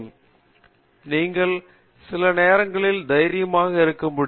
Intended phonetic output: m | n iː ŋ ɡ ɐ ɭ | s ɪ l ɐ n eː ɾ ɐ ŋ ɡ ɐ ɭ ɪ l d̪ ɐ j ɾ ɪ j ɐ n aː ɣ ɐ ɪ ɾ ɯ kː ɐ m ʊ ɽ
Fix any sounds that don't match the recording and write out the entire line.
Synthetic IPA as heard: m | n iː ŋ ɡ ɐ ɭ | s ɪ l ɐ n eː ɾ ɐ ŋ ɡ ɐ ɭ ɪ l d̪ ɐ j ɾ ɪ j ɐ m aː ɣ ɐ ɪ ɾ ɯ kː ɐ m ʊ ɽ